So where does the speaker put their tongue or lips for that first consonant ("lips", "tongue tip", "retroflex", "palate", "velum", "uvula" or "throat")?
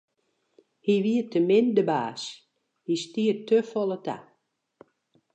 throat